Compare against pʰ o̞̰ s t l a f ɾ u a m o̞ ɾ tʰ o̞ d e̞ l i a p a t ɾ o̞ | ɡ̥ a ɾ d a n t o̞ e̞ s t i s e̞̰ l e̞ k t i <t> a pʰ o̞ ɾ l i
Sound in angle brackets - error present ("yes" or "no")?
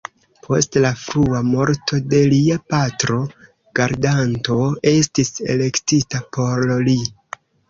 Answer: no